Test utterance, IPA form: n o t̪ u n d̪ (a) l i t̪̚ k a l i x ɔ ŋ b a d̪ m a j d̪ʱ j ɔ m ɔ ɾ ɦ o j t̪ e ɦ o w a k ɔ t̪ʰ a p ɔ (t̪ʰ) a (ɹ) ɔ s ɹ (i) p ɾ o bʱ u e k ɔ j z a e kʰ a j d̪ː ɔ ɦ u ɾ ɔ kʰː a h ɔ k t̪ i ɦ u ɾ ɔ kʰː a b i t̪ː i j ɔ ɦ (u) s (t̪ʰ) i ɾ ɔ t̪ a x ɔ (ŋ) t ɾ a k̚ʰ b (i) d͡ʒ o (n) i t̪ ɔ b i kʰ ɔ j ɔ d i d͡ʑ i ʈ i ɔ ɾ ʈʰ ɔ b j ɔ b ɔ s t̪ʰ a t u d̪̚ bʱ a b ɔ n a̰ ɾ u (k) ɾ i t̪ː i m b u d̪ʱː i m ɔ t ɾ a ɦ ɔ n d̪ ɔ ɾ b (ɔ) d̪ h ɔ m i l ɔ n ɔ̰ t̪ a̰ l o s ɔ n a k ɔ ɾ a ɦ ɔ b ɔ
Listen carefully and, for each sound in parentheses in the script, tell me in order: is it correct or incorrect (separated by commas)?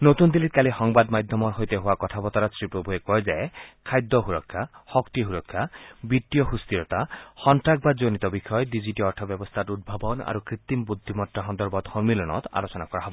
incorrect, incorrect, incorrect, correct, correct, incorrect, incorrect, incorrect, correct, correct, correct